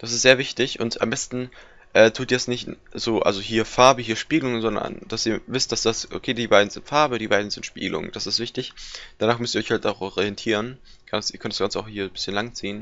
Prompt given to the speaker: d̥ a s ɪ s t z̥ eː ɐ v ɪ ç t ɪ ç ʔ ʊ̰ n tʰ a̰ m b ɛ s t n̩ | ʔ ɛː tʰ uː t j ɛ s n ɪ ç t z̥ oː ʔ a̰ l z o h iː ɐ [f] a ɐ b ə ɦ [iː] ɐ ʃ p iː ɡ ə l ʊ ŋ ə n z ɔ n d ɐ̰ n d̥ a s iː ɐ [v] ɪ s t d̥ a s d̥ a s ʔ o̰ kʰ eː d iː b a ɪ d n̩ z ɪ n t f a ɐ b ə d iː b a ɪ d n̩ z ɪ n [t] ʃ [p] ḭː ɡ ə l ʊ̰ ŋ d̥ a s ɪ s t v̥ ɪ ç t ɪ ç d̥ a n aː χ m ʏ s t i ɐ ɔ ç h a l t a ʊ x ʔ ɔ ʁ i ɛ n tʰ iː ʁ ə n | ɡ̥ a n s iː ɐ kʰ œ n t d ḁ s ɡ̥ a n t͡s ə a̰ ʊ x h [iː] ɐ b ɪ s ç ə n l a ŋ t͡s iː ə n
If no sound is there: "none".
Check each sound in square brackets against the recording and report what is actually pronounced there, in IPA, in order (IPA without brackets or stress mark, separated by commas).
f, iː, v, t, p, iː